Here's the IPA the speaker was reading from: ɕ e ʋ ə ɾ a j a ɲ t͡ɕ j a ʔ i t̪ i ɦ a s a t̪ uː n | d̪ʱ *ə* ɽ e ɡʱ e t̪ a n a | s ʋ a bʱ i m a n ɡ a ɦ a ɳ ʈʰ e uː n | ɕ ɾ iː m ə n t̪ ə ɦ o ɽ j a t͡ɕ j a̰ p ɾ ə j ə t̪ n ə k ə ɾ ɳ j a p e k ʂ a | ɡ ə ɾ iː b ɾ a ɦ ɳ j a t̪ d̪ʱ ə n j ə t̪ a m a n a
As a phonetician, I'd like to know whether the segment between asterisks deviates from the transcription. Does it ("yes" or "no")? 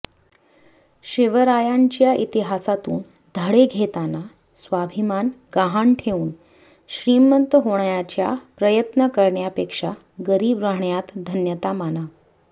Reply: no